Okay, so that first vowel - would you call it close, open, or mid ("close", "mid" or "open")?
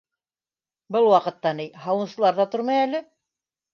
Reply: mid